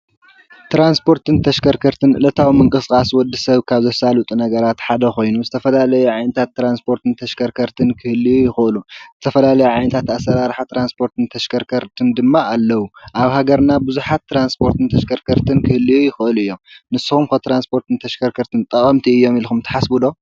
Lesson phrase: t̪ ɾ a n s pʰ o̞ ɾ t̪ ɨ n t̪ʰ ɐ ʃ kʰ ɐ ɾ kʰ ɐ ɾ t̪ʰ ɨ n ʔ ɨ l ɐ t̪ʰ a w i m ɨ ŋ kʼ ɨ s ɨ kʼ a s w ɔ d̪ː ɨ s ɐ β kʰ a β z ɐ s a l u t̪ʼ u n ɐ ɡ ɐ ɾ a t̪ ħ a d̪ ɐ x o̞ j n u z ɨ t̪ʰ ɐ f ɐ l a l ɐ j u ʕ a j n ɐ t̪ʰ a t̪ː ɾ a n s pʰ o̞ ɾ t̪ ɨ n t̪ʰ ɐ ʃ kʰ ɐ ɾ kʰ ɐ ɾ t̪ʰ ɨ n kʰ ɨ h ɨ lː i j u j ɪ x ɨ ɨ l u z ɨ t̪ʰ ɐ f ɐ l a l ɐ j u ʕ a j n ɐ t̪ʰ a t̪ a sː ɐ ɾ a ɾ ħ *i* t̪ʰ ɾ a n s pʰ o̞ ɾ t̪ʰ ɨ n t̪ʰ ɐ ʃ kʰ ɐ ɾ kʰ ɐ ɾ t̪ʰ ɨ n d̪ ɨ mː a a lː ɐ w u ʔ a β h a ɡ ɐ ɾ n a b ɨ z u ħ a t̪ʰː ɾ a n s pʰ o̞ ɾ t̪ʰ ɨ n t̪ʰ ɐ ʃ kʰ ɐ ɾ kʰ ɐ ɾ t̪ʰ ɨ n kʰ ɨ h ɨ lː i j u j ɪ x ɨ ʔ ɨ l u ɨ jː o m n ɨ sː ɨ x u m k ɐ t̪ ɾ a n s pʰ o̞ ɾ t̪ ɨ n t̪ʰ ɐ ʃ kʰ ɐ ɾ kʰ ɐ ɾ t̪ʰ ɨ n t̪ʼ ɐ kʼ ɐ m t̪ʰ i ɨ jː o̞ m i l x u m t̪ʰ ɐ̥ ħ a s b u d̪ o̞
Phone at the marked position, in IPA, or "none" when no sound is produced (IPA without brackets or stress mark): a